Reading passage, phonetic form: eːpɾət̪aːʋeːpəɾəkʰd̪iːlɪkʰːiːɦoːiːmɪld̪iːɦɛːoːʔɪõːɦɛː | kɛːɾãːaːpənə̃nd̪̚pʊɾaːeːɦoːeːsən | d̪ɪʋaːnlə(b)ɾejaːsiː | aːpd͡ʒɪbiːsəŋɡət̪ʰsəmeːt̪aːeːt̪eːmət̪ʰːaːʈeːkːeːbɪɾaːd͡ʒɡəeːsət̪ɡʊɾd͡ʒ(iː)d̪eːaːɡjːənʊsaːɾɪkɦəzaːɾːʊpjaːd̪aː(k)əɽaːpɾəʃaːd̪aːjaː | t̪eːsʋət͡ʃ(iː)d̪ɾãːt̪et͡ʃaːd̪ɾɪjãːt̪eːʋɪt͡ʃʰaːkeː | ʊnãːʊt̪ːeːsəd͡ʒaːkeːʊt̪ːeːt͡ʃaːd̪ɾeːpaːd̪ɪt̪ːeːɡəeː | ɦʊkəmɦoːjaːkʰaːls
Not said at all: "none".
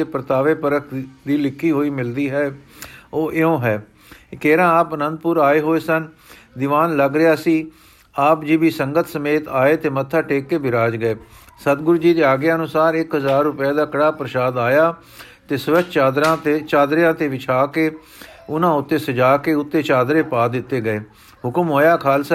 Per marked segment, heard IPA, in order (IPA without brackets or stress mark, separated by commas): ɡ, iː, k, aː